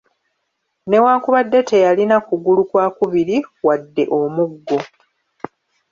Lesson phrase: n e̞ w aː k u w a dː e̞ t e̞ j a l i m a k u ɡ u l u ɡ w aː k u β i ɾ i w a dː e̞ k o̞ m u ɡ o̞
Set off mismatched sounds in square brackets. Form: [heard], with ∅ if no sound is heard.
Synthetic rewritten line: n e̞ w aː k u [β] a dː e̞ t e̞ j a l i [n] a k u ɡ u l u [k] w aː k u β i ɾ i w a dː e̞ [ʔ] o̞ m u [ɡː] o̞